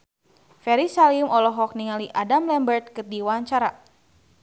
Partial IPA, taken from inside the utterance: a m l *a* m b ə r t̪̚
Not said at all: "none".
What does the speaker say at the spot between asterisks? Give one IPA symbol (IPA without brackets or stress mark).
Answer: ɛ